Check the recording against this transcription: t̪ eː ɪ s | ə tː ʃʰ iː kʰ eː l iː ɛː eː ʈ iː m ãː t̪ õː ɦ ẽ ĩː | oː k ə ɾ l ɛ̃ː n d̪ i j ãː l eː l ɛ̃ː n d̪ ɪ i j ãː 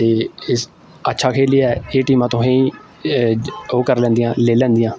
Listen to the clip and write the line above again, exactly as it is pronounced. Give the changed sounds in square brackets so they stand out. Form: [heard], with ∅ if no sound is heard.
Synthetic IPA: t̪ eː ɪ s | ə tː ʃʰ [aː] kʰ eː l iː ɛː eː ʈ iː m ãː t̪ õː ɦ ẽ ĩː | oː k ə ɾ l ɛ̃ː n d̪ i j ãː l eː l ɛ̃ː n d̪ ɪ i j ãː